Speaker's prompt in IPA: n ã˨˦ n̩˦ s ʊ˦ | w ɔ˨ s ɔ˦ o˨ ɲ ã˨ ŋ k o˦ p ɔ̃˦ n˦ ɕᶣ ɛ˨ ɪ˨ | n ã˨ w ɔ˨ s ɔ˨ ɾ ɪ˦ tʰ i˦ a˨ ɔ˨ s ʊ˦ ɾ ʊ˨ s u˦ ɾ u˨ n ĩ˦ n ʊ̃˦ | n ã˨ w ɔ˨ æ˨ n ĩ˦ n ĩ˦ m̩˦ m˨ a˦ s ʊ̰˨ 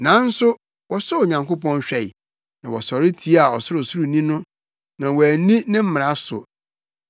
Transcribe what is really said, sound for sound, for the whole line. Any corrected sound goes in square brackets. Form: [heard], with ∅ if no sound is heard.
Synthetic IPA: n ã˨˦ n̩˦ s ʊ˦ | w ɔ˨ s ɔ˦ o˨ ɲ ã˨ ŋ k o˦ p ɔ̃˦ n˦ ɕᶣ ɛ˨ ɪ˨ | n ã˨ w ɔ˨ s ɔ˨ ɾ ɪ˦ tʰ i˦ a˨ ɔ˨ s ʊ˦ ɾ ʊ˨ s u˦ ɾ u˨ n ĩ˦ n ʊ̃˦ | n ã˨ w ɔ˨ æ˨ n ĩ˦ n [ɪ̃˦] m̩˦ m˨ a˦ s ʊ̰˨